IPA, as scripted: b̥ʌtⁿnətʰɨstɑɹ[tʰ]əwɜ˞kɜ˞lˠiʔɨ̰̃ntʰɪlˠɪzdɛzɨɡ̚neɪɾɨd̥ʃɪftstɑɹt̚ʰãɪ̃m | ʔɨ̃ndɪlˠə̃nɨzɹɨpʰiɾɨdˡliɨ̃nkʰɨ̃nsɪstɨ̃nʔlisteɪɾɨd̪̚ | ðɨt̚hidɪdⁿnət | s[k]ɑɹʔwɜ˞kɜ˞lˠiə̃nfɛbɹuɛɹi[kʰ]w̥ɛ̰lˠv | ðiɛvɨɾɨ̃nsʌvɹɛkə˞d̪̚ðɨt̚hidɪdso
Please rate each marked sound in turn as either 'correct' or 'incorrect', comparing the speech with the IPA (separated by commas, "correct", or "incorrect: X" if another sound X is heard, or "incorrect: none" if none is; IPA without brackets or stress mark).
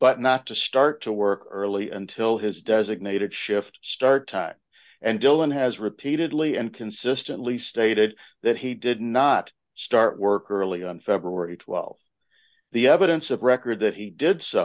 correct, incorrect: t, incorrect: tʰ